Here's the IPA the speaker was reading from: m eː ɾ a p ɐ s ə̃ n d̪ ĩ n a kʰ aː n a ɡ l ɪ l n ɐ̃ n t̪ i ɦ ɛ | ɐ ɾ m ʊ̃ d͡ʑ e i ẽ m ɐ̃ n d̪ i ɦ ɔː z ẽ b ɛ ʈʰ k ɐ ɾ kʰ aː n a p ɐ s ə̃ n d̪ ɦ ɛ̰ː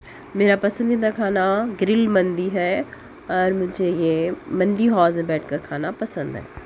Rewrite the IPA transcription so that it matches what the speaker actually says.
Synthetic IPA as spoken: m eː ɾ a p ɐ s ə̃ n d̪ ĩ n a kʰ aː n a ɡ ɾ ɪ l m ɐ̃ n d̪ i ɦ ɛ | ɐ ɾ m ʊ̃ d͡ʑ e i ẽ m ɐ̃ n d̪ i ɦ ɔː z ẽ b ɛː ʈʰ k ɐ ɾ kʰ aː n a p ɐ s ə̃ n d̪ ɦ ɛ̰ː